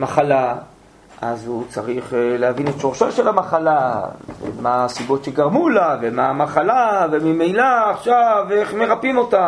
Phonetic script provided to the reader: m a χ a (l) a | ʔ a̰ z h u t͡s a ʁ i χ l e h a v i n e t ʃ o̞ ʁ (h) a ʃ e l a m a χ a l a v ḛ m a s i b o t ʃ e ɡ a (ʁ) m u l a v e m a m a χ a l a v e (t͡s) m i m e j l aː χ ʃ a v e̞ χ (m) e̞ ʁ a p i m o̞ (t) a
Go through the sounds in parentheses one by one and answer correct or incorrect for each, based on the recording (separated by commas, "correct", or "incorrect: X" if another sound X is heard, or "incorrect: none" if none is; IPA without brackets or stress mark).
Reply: correct, incorrect: ʃ, correct, incorrect: none, correct, correct